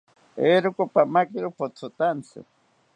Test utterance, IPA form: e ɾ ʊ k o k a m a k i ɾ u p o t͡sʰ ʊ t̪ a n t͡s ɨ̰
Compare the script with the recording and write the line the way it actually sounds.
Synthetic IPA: e ɾ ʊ k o p a m a k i ɾ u p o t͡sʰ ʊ t̪ a n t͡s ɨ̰

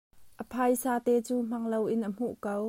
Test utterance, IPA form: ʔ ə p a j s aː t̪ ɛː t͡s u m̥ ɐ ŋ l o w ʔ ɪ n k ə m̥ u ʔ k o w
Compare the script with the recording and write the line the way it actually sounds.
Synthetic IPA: ʔ ə pʰ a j s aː t̪ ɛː t͡s uː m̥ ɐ ŋ l o w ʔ ɪ n ʔ ə m̥ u ʔ k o w

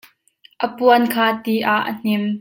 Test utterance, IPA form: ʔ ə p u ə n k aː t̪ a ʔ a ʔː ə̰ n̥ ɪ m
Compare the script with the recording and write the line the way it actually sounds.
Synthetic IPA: ʔ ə p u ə n kʰ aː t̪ i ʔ a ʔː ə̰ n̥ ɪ m

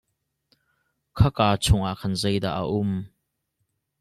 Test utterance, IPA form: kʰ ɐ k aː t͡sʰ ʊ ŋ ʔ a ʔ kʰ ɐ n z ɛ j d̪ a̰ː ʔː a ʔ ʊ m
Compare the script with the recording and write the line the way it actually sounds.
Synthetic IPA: kʰ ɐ k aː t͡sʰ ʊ ŋ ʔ a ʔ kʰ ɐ n z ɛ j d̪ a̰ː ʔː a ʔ ʊ m

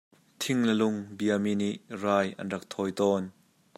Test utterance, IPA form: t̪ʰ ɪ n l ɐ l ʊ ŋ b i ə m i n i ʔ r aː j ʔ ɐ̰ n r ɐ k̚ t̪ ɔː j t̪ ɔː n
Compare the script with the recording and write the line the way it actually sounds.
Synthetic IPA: t̪ʰ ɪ ŋ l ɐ l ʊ ŋ b i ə m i n i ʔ r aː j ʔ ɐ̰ n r ɐ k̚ t̪ʰ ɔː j t̪ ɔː n

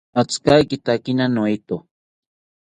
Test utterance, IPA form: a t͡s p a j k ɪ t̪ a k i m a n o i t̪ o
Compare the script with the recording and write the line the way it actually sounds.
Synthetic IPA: a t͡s k a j k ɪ t̪ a k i n a n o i t̪ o

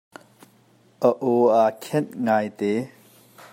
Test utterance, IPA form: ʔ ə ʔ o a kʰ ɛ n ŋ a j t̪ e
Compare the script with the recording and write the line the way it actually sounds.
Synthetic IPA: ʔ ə ʔ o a kʰ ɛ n ŋ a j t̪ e

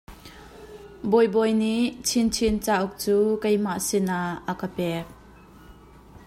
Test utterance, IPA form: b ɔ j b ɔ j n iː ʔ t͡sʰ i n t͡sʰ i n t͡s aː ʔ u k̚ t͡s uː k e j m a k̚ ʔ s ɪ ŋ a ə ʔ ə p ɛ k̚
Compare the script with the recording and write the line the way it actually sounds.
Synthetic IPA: b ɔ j b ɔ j n i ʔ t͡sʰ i n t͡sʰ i n t͡s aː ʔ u k̚ t͡s uː k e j m a ʔ s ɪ n a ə k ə p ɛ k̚

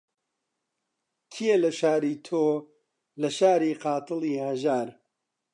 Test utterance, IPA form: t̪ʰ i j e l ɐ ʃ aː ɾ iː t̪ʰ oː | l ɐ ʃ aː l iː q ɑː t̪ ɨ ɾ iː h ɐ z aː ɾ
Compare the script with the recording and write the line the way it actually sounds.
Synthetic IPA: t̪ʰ i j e l ɐ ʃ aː ɾ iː t̪ʰ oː | l ɐ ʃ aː ɾ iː q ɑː t̪ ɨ l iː h ɐ ʒ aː ɾ

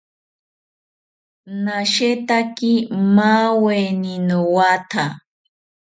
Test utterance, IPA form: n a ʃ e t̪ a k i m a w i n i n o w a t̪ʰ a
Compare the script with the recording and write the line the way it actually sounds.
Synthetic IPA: n a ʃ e t̪ a k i m a w e n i n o w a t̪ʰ a

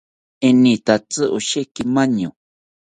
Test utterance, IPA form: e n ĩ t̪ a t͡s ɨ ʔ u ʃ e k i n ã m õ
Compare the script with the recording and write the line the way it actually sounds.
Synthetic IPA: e n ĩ t̪ a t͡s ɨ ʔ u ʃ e k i m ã ɲ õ

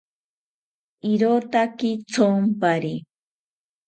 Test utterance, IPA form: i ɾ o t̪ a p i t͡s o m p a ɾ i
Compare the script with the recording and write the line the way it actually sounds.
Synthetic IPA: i ɾ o t̪ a k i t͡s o m p a ɾ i

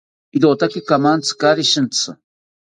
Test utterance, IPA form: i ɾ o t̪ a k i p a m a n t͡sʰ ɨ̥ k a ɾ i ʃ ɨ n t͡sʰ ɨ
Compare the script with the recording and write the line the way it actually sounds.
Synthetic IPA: i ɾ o t̪ a k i k a m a n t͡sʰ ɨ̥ k a ɾ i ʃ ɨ n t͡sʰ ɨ

